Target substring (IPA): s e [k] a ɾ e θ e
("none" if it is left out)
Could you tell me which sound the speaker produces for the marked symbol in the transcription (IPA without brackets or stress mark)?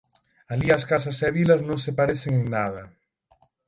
p